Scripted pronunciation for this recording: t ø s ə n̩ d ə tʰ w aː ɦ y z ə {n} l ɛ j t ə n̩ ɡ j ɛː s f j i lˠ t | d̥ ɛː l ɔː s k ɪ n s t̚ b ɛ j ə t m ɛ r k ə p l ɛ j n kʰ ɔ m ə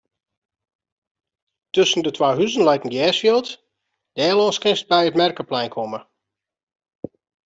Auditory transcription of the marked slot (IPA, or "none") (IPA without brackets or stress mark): n